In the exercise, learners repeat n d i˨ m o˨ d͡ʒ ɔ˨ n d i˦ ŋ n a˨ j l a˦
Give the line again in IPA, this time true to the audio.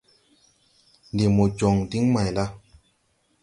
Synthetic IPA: n d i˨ m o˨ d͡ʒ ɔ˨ ŋ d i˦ ŋ m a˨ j l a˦